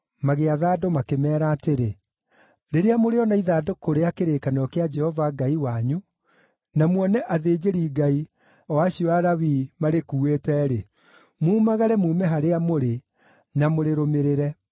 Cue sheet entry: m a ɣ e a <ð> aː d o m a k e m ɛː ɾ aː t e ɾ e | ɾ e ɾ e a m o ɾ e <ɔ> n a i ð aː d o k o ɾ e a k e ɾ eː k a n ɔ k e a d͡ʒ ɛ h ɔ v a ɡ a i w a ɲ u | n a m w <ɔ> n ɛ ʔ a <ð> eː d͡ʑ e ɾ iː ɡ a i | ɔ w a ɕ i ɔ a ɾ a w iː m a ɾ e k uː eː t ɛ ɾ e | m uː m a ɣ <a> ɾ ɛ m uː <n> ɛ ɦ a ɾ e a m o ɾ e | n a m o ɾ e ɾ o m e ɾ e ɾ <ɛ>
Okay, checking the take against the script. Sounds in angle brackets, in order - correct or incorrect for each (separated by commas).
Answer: correct, correct, correct, correct, correct, incorrect, correct